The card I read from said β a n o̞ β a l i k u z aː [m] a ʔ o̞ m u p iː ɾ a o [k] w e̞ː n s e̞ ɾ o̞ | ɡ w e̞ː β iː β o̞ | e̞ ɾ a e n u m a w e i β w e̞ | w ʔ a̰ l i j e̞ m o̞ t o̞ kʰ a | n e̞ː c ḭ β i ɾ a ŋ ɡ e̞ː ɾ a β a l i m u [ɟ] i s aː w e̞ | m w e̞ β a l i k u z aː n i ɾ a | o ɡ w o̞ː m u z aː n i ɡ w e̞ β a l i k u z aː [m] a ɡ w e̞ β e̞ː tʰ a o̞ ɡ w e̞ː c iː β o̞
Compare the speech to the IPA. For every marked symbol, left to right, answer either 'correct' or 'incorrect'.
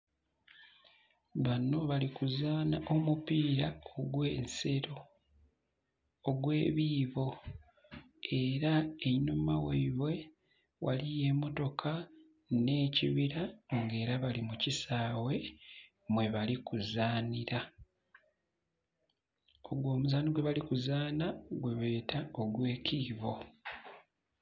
incorrect, incorrect, incorrect, incorrect

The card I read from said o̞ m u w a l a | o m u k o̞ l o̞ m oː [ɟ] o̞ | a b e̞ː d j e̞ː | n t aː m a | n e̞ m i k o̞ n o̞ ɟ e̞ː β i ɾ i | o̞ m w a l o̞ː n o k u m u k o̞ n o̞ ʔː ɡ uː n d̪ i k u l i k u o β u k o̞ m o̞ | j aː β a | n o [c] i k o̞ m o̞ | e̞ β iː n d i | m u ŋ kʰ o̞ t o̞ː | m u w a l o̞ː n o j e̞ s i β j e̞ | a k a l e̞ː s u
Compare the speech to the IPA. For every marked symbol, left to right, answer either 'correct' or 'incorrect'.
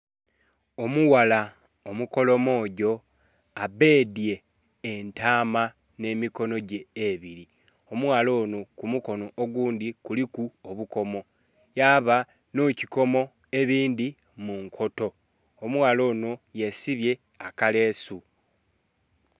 correct, correct

